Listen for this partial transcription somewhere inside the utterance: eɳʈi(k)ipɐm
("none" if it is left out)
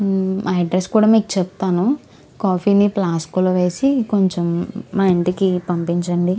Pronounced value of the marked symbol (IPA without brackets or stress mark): k